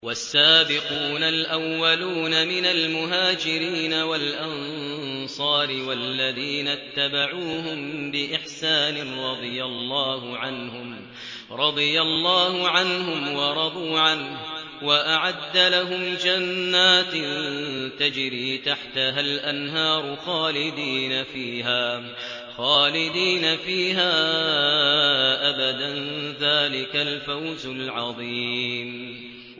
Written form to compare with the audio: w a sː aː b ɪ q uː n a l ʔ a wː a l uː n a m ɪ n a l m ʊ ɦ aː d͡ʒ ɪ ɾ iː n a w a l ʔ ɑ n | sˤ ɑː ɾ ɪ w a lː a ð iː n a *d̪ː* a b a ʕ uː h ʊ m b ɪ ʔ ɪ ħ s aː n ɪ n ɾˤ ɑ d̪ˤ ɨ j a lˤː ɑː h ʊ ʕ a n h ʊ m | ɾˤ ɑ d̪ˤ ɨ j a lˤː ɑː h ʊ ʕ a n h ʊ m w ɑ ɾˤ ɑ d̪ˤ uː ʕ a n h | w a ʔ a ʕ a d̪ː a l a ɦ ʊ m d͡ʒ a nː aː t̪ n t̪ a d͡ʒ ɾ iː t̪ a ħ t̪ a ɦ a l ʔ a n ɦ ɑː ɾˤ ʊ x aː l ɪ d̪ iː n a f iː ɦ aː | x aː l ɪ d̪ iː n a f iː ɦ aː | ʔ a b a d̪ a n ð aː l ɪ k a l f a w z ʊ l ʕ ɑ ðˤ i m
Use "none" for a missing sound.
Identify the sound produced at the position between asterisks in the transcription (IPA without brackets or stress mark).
t̪ː